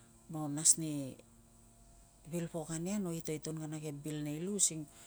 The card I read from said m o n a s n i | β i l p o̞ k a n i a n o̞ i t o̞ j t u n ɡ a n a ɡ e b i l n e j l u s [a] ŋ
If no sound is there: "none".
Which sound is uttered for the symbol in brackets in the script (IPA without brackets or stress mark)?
i